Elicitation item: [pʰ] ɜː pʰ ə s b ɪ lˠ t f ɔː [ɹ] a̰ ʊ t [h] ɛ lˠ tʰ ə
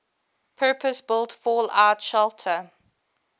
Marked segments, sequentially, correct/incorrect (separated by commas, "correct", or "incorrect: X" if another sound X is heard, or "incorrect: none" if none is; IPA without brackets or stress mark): correct, incorrect: l, incorrect: ʃ